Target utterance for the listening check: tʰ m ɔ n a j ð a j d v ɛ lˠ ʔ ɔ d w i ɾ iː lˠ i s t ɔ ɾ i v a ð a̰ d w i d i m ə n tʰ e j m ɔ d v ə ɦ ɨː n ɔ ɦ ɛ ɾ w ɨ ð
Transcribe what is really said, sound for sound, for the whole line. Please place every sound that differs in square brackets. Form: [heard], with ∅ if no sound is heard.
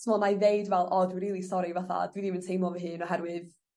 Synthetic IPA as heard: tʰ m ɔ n a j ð [e] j d v ɛ lˠ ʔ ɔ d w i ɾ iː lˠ i s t ɔ ɾ i v a [θ] a̰ d w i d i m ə n tʰ e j m ɔ [∅] v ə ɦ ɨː n ɔ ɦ ɛ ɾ w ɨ ð